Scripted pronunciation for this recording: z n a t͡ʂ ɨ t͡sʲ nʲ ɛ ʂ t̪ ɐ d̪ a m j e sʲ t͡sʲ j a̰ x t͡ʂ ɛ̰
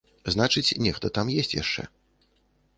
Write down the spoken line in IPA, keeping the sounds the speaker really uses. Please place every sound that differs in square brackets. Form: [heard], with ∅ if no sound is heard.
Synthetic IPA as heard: z n a t͡ʂ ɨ t͡sʲ nʲ ɛ [x] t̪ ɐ [t̪] a m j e sʲ t͡sʲ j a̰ [ʂ] t͡ʂ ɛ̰